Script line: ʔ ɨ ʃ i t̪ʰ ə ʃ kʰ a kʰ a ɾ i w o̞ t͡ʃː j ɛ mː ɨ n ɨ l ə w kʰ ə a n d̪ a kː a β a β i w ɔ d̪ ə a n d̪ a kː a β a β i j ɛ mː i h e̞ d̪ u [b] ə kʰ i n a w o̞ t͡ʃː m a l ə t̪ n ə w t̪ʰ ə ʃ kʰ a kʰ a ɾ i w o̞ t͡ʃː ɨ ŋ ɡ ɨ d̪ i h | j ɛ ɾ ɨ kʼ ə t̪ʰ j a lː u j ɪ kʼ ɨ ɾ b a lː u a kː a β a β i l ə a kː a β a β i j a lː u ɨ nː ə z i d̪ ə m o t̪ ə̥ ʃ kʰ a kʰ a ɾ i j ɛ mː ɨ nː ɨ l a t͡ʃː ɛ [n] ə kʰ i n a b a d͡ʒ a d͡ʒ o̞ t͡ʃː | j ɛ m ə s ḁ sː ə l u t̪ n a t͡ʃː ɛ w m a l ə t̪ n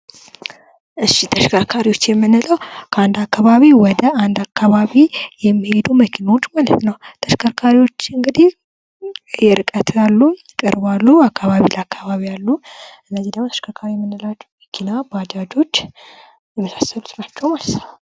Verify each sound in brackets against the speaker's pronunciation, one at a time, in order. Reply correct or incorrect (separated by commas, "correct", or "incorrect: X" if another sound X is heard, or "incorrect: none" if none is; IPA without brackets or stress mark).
incorrect: m, incorrect: m